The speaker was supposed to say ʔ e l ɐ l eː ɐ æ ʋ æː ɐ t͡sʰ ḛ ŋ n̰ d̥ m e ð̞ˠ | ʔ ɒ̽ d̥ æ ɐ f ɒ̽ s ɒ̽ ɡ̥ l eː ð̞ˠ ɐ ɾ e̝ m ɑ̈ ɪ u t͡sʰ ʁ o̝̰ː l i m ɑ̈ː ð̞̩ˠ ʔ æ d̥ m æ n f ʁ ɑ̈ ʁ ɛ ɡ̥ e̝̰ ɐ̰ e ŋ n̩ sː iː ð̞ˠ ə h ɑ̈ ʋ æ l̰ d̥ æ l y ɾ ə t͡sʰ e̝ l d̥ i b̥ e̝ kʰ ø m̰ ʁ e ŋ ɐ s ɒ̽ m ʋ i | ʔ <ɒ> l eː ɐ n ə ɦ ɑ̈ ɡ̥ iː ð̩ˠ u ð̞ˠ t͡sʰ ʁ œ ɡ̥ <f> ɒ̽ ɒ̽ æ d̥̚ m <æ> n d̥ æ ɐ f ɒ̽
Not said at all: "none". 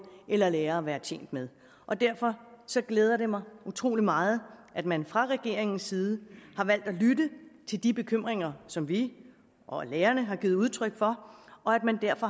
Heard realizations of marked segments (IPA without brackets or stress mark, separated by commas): ɒ, f, æ